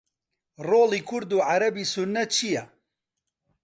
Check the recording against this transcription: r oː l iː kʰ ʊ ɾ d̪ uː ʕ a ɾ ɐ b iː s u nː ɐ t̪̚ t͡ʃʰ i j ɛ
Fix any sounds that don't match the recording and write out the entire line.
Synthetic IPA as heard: r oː l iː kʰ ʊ ɾ d̪ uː ʕ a ɾ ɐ b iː s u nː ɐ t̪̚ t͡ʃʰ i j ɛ